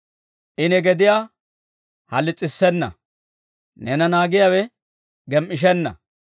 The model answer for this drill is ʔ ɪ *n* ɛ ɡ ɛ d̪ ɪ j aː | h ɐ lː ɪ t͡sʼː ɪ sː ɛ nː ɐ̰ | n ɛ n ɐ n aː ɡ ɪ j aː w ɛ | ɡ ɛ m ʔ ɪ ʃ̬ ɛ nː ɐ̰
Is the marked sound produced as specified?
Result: yes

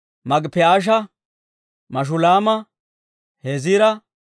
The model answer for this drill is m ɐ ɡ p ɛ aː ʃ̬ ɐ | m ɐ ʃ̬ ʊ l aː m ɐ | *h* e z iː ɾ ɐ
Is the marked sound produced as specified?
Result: yes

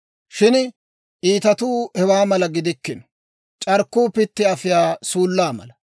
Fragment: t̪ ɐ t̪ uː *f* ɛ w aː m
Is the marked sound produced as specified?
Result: no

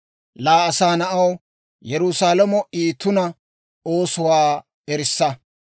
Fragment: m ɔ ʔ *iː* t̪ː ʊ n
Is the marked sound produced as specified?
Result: yes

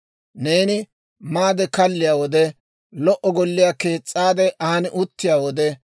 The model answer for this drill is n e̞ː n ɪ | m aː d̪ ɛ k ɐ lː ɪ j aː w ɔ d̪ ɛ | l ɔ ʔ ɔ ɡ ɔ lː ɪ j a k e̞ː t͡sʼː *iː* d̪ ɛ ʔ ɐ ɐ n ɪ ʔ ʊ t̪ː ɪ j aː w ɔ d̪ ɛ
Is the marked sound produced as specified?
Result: no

